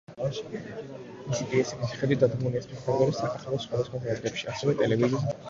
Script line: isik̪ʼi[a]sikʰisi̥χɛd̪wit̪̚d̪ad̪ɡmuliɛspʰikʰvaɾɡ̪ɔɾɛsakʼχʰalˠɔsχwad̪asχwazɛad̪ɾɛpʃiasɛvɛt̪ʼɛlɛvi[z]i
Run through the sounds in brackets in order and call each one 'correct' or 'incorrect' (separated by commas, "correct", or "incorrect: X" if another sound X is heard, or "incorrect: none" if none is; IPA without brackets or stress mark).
incorrect: ɛ, correct